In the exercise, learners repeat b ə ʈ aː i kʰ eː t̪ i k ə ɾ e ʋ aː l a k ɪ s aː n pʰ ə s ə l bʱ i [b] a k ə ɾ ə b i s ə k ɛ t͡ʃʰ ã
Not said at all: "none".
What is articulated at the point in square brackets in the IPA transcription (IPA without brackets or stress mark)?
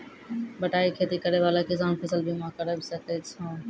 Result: m